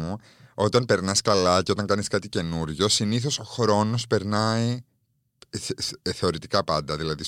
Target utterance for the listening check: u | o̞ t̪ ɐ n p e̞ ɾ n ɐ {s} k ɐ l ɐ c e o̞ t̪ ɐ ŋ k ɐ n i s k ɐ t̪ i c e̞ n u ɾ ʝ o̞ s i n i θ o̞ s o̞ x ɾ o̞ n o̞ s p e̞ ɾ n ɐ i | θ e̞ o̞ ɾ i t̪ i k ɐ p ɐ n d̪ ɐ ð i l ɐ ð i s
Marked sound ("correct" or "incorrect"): correct